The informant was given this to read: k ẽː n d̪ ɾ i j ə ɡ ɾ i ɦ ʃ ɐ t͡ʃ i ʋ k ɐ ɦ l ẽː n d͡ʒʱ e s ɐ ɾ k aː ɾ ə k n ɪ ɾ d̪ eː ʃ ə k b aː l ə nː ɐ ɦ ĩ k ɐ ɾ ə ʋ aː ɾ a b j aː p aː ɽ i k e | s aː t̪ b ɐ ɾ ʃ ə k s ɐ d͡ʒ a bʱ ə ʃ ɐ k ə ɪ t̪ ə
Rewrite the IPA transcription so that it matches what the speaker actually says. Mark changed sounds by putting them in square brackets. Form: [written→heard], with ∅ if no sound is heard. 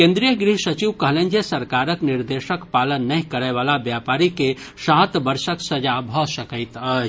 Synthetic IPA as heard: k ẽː n d̪ ɾ i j ə ɡ ɾ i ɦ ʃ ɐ t͡ʃ i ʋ k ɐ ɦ l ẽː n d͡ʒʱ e s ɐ ɾ k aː ɾ ə k n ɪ ɾ d̪ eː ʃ ə k [b→p] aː l ə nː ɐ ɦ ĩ k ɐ ɾ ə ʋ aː [ɾ→l] a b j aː p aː [ɽ→ɾ] i k e | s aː t̪ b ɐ ɾ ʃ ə k s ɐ d͡ʒ a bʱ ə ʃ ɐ k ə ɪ t̪ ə